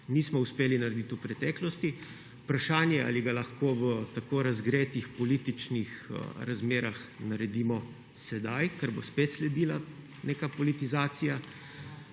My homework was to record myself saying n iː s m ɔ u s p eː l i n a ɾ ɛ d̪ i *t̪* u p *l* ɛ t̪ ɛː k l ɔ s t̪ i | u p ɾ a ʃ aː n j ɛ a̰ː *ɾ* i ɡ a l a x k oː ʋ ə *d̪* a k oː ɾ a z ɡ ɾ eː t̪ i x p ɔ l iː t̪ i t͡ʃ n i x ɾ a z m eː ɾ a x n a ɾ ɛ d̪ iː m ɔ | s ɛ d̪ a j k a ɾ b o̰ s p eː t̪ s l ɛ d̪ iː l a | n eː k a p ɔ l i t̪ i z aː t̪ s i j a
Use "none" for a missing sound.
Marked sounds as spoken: t̪, ɾ, l, t̪

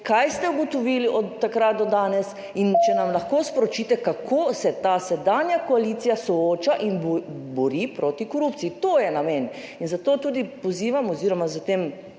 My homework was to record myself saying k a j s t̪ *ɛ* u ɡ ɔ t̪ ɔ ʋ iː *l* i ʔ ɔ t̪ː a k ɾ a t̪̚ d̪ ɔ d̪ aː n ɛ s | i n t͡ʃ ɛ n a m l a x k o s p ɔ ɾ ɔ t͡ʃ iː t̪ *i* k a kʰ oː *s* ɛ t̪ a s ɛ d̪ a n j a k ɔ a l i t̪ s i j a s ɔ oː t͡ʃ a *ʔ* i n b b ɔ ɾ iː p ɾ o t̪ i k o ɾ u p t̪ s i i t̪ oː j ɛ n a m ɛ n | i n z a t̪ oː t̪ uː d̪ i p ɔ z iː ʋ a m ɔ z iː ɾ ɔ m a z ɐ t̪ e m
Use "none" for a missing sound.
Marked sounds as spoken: ɛ, l, ɛ, s, ʔ

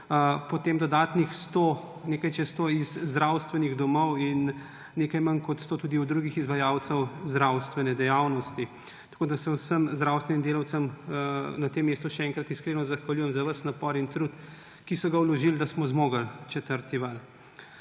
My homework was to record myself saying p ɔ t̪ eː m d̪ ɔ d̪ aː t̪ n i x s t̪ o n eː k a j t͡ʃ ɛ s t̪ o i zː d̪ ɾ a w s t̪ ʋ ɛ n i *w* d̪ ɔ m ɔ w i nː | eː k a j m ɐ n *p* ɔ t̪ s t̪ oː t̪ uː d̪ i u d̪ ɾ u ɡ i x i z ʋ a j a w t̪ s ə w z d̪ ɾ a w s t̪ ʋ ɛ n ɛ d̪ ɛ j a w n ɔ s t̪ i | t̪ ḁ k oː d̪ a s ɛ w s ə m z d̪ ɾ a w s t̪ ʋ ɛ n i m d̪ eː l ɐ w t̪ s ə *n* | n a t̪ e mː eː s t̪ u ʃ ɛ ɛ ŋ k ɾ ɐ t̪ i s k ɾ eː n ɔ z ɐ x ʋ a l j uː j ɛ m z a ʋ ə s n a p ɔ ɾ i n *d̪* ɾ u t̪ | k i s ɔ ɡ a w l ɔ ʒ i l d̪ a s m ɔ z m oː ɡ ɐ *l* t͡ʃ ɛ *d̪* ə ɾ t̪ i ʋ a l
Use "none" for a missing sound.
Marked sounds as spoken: ɣ, k, m, t̪, l, t̪

